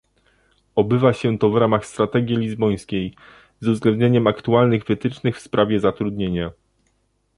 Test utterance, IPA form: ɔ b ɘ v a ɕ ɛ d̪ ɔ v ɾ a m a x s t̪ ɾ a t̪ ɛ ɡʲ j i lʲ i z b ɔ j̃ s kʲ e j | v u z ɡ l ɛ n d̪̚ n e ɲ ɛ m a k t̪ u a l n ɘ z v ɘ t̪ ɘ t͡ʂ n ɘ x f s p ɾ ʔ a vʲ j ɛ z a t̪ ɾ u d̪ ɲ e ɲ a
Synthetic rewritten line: ɔ b ɘ v a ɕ ɛ t̪ ɔ v ɾ a m a x s t̪ ɾ a t̪ ɛ ɡʲ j i lʲ i z b ɔ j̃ s kʲ e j | z u z ɡ l ɛ n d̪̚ ɲ e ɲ ɛ m a k t̪ u a l n ɘ ɣ v ɘ t̪ ɘ t͡ʂ n ɘ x f s p ɾ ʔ a vʲ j ɛ z a t̪ ɾ u d̪ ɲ e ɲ a